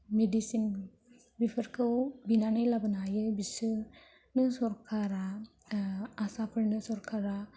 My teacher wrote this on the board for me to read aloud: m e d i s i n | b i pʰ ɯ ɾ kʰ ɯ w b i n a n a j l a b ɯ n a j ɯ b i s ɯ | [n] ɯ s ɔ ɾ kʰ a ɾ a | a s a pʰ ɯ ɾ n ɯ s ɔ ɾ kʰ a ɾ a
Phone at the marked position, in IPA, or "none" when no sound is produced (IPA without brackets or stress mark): n